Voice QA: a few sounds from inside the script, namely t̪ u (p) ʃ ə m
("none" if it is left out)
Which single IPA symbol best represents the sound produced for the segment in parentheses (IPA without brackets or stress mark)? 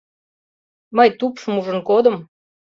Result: p